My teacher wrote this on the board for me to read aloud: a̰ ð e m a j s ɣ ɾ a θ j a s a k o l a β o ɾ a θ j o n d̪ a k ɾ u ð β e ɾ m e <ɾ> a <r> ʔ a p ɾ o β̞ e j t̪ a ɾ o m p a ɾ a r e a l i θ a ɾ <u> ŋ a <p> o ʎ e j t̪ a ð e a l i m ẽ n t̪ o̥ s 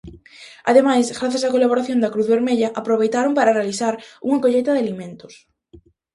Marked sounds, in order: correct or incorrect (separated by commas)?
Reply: incorrect, incorrect, correct, incorrect